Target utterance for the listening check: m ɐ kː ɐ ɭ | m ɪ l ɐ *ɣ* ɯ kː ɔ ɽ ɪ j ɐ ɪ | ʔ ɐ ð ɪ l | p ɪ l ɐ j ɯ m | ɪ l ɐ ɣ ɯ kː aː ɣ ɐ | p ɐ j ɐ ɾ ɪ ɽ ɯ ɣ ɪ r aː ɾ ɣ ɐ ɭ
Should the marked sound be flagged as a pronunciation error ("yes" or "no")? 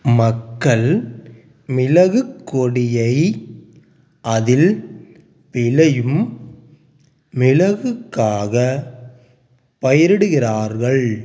no